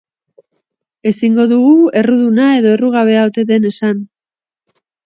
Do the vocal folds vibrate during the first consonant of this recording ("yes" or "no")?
no